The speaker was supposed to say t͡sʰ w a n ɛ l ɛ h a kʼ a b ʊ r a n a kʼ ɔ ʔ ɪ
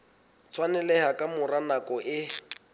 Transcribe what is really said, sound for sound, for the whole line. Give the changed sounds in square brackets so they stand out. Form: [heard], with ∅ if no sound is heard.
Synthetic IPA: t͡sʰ w a n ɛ l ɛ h a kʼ a [m] ʊ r a n a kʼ ɔ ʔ ɪ